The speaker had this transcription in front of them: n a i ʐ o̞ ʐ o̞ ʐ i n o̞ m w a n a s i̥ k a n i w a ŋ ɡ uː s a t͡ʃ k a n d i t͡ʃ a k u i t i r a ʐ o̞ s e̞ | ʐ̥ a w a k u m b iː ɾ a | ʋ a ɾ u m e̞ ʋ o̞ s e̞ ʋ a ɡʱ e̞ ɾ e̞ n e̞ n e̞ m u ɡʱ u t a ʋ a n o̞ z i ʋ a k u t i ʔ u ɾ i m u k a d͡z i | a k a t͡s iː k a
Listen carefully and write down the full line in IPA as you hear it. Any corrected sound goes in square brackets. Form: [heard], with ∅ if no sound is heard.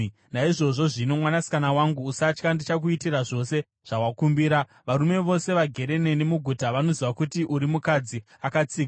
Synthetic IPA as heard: n a i ʐ o̞ ʐ o̞ ʐ i n o̞ m w a n a s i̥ k a n [a] w a ŋ ɡ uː s a t͡ʃ k a n d i t͡ʃ a k u i t i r a ʐ o̞ s e̞ | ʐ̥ a w a k u m b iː ɾ a | ʋ a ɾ u m e̞ ʋ o̞ s e̞ ʋ a ɡʱ e̞ ɾ e̞ n e̞ n e̞ m u ɡʱ u t a ʋ a n o̞ z i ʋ a k u t i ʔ u ɾ i m u k a d͡z i | a k a t͡s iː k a

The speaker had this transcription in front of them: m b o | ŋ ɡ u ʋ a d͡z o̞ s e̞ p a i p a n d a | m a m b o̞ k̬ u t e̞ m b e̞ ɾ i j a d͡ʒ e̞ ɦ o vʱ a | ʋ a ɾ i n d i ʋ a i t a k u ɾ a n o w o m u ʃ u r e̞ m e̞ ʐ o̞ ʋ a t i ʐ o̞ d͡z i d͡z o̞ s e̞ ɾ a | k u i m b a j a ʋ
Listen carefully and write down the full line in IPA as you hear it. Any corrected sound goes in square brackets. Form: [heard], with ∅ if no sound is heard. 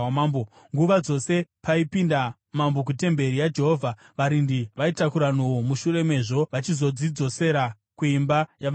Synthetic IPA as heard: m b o | ŋ ɡ u ʋ a d͡z o̞ s e̞ p a i p [i] n d a | m a m b o̞ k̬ u t e̞ m b e̞ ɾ i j a d͡ʒ e̞ ɦ o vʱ a | ʋ a ɾ i n d i ʋ a i t a k u ɾ a n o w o m u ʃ u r e̞ m e̞ ʐ o̞ ʋ a [t͡ʃ] i [z] o̞ d͡z i d͡z o̞ s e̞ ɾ a | k u i m b a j a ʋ

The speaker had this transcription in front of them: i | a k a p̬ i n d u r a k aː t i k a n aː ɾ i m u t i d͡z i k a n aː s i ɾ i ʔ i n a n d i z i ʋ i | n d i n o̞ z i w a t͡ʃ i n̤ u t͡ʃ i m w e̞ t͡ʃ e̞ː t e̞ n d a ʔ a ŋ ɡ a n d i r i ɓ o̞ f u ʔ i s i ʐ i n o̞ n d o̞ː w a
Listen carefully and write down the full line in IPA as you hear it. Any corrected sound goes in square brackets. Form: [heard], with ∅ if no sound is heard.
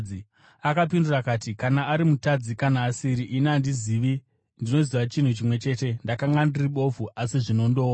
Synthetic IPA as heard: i | a k a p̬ i n d u r a k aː t i k a n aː ɾ i m u t [a] d͡z i k a n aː s i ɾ i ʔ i n a n d i z i ʋ i | n d i n o̞ z i [ʋ] a t͡ʃ i n̤ u t͡ʃ i m w e̞ t͡ʃ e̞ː t e̞ n d a [k] a ŋ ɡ a n d i r i ɓ o̞ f u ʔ [a] s i ʐ i n o̞ n d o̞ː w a

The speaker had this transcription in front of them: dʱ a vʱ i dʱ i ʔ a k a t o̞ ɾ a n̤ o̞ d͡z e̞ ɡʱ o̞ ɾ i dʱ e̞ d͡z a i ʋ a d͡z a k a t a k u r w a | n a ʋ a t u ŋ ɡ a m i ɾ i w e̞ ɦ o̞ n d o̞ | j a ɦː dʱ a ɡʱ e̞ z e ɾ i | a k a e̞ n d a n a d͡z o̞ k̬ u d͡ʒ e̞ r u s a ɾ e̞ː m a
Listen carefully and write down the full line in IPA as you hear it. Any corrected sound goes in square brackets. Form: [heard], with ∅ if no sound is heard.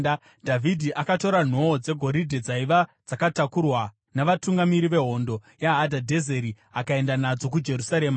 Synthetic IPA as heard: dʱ a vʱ i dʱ i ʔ a k a t o̞ ɾ a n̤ o̞ d͡z e̞ ɡʱ o̞ ɾ i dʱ e̞ d͡z a i ʋ a d͡z a k a t a k u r w a | n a ʋ a t u ŋ ɡ a m i ɾ i [ʋ] e̞ ɦ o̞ n d o̞ | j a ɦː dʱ a [dʱ] e̞ z e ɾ i | a k a e̞ n d a n a d͡z o̞ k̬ u d͡ʒ e̞ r u s a ɾ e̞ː m a

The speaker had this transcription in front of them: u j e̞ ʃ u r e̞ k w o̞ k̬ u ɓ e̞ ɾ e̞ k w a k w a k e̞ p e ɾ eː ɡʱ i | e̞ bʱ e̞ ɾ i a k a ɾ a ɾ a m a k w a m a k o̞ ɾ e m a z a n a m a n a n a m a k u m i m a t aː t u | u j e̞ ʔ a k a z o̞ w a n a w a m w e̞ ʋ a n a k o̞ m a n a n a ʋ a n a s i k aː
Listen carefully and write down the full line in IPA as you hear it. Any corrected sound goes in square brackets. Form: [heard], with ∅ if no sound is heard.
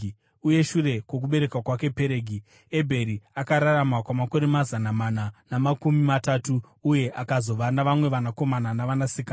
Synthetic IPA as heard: u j e̞ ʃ u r e̞ k w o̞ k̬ u ɓ e̞ ɾ e̞ k w a k w a k e̞ p e ɾ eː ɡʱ i | e̞ bʱ e̞ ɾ i a k a ɾ a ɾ a m a k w a m a k o̞ ɾ e m a z a n a m a n a n a m a k u m i m a t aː t u | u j e̞ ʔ a k a z o̞ [ʋ] a n a [ʋ] a m w e̞ ʋ a n a k o̞ m a n a n a ʋ a n a s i k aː

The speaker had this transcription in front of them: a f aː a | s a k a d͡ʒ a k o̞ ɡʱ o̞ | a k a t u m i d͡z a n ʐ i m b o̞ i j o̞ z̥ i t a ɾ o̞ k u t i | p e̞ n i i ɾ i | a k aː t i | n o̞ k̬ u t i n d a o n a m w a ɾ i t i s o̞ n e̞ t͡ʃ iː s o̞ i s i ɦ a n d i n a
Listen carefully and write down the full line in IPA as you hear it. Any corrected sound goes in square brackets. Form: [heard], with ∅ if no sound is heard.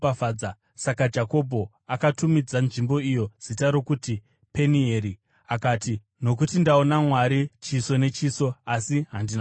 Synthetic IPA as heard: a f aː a | s a k a d͡ʒ a k o̞ [bʱ] o̞ | a k a t u m i d͡z a n ʐ i m b o̞ i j o̞ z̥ i t a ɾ o̞ k u t i | p e̞ n i [e] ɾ i | a k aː t i | n o̞ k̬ u t i n d a o n a m w a ɾ i [t͡ʃ] i s o̞ n e̞ t͡ʃ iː s o̞ [a] s i ɦ a n d i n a

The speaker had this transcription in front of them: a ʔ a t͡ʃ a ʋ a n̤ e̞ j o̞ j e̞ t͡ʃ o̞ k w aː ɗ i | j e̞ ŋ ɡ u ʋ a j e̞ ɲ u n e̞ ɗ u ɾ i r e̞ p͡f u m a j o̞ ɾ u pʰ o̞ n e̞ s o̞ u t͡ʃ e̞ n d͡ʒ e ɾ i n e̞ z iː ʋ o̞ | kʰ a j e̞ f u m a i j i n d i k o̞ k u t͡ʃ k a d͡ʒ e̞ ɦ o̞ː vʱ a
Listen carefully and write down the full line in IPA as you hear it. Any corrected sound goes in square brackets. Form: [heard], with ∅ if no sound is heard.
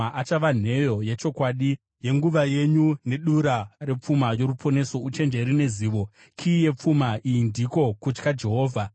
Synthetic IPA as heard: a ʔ a t͡ʃ a ʋ a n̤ e̞ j o̞ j e̞ t͡ʃ o̞ k w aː ɗ i | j e̞ ŋ ɡ u ʋ a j e̞ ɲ u n e̞ ɗ u ɾ [a] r e̞ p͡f u m a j o̞ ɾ u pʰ o̞ n e̞ s o̞ u t͡ʃ e̞ n d͡ʒ e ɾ i n e̞ z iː ʋ o̞ | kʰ [i] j e̞ [p͡f] u m a i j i n d i k o̞ k u t͡ʃ k a d͡ʒ e̞ ɦ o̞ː vʱ a

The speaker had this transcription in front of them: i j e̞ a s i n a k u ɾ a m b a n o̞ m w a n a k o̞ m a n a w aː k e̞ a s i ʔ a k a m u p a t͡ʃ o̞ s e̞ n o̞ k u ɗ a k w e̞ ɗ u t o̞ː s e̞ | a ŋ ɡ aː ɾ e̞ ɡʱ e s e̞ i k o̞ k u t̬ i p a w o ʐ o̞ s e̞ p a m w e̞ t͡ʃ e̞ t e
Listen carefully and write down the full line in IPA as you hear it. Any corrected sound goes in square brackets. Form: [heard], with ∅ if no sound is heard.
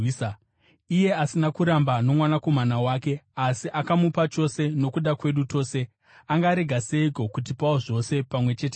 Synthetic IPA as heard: i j e̞ a s i n a k u ɾ a m b a n o̞ m w a n a k o̞ m a n a w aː k e̞ a s i ʔ a k a m u p a t͡ʃ o̞ s e̞ n o̞ k u ɗ a k w e̞ ɗ u t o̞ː s e̞ | a ŋ ɡ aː ɾ e̞ ɡʱ [a] s e̞ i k o̞ k u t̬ i p a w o ʐ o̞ s e̞ p a m w e̞ t͡ʃ e̞ t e

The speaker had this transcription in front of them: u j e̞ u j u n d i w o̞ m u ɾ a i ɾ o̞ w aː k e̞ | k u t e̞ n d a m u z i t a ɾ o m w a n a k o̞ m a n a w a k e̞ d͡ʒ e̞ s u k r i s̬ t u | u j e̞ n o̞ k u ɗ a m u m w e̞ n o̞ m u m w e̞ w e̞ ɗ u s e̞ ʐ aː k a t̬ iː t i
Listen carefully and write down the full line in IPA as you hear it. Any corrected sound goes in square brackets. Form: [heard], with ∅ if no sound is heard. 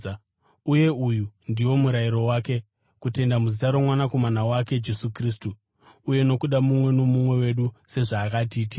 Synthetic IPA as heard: u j e̞ u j u n d i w o̞ m u ɾ a i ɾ o̞ w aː k e̞ | k u t e̞ n d a m u z i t a ɾ o m w a n a k o̞ m a n a w a k e̞ d͡ʒ e̞ s u k r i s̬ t u | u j e̞ n o̞ k u ɗ a m u m w e̞ n o̞ m u m w e̞ w e̞ ɗ u s e̞ ʐ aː k a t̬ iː t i

